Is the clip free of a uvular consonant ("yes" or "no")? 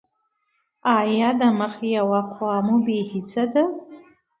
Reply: no